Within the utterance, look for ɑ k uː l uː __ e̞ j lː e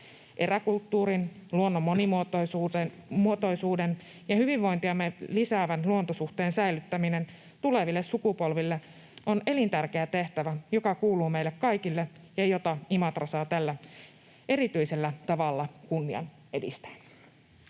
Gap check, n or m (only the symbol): m